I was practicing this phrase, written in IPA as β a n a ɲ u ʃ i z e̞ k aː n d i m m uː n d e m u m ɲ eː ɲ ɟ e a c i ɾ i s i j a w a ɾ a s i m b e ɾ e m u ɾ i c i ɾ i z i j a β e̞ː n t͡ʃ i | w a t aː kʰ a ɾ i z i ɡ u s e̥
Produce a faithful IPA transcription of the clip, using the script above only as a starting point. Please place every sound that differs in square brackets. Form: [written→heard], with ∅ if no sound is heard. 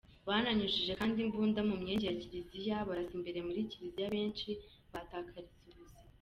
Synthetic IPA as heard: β a n a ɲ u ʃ i [z→ʒ] e̞ k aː n d i m [m→b] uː n d [e→a] m u m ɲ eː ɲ ɟ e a c i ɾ i [s→z] i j a [w→β] a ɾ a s i m b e ɾ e m u ɾ i c i ɾ i z i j a β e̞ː n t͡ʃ i | [w→β] a t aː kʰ a ɾ i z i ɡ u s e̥